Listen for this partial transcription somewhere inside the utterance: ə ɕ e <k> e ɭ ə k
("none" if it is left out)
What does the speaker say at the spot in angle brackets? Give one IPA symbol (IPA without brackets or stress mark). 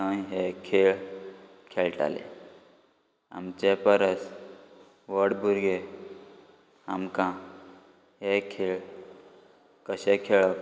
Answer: kʰ